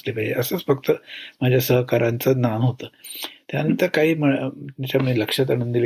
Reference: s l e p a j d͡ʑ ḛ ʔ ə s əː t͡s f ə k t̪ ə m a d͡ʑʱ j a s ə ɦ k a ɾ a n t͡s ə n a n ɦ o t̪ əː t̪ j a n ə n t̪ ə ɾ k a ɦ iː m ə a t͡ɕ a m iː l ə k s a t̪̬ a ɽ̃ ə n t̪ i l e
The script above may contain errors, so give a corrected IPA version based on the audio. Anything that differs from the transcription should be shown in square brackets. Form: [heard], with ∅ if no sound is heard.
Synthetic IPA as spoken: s l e p a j d͡ʑ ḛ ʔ ə s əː t͡s f ə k t̪ ə m a d͡ʑʱ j a s ə ɦ k a ɾ a n t͡s ə n a n ɦ o t̪ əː t̪ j a n ə n t̪ ə ɾ k a ɦ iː m ə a t͡ɕ a m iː l ə k [ʂ] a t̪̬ a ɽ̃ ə n [d̪] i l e